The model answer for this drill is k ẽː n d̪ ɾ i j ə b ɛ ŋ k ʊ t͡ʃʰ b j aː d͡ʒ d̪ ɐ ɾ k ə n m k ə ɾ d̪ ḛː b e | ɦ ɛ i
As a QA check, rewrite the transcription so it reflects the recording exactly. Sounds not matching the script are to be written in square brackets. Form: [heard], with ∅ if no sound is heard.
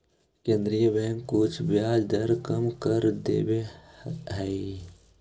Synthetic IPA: k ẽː n d̪ ɾ i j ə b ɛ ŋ k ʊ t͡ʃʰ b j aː d͡ʒ d̪ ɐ ɾ k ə [∅] m k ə ɾ d̪ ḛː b e | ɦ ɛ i